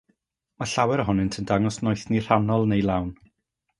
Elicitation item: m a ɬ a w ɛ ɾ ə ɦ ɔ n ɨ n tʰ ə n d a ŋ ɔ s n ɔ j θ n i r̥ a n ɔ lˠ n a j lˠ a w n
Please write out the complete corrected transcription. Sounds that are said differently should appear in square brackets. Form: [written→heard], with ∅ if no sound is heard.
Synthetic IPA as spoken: m a ɬ a w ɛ ɾ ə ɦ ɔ n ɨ n tʰ ə n d a ŋ ɔ s n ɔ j θ n i r̥ a n ɔ lˠ n [a→e] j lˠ a w n